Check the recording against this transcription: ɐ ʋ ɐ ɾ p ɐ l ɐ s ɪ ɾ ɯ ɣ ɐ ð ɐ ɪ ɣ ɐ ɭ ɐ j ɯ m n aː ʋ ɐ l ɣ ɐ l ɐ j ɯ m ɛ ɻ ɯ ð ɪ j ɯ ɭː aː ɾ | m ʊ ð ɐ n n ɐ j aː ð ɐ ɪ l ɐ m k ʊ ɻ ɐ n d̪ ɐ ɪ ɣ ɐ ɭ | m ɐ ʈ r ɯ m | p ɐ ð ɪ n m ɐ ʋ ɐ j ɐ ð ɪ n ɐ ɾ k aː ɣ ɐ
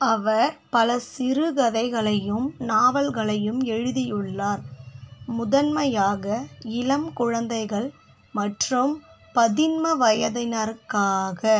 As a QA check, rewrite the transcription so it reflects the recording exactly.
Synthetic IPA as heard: ɐ ʋ ɐ ɾ p ɐ l ɐ s ɪ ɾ ɯ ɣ ɐ ð ɐ ɪ ɣ ɐ ɭ ɐ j ɯ m n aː ʋ ɐ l ɣ ɐ ɭ ɐ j ɯ m ɛ ɻ ɯ ð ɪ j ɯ ɭː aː ɾ | m ʊ ð ɐ n m ɐ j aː ɣ ɐ ɪ l ɐ m k ʊ ɻ ɐ n d̪ ɐ ɪ ɣ ɐ ɭ | m ɐ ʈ r ɯ m | p ɐ ð ɪ n m ɐ ʋ ɐ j ɐ ð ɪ n ɐ ɾ k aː ɣ ɐ